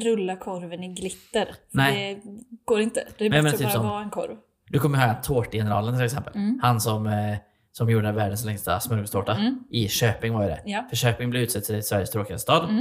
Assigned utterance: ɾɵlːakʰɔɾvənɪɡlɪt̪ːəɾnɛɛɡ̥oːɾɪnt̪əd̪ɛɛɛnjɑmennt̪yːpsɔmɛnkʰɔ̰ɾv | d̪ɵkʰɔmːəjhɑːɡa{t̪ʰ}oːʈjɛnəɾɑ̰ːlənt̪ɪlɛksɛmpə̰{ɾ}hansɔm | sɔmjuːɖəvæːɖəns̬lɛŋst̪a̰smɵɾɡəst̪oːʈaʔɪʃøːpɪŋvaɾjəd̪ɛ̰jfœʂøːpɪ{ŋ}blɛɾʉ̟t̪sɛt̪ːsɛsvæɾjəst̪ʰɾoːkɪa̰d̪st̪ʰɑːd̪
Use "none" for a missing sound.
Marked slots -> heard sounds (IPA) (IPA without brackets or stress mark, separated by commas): t̪ʰ, l, ŋ